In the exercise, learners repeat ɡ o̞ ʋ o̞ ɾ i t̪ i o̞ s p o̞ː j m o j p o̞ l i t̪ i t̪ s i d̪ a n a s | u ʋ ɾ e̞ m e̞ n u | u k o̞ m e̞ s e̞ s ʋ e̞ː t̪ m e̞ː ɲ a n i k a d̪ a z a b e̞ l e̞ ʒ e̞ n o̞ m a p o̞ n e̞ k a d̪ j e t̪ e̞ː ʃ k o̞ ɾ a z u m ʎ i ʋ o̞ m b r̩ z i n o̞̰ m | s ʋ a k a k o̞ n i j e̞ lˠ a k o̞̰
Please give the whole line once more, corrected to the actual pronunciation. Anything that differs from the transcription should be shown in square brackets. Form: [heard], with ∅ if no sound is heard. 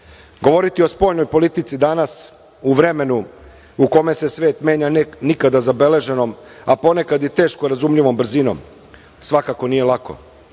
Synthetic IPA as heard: ɡ o̞ ʋ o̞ ɾ i t̪ i o̞ s p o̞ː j [n] o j p o̞ l i t̪ i t̪ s i d̪ a n a s | u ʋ ɾ e̞ m e̞ n u | u k o̞ m e̞ s e̞ s ʋ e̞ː t̪ m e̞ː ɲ a n i k a d̪ a z a b e̞ l e̞ ʒ e̞ n o̞ m a p o̞ n e̞ k a d̪ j e t̪ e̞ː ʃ k o̞ ɾ a z u m ʎ i ʋ o̞ m b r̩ z i n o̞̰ m | s ʋ a k a k o̞ n i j e̞ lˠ a k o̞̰